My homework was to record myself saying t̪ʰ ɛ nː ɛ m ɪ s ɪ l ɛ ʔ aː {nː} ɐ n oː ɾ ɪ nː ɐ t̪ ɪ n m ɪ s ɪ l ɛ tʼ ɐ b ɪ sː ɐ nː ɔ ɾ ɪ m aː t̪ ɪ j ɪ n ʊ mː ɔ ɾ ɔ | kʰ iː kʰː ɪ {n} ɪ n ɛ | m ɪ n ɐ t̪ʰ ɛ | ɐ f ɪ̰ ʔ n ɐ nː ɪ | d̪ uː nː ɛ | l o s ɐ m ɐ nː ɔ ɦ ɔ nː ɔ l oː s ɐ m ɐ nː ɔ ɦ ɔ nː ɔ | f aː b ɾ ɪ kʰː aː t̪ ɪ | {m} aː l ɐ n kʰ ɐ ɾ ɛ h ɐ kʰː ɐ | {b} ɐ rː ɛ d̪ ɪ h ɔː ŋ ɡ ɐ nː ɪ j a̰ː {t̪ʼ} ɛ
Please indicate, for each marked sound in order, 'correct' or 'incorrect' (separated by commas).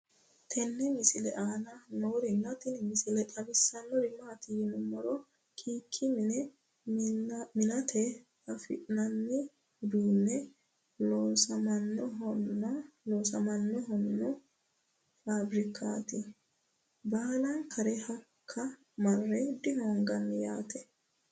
incorrect, incorrect, incorrect, incorrect, incorrect